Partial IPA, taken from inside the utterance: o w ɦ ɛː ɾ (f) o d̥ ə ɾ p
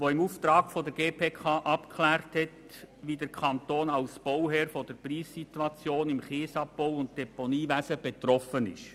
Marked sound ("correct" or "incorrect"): correct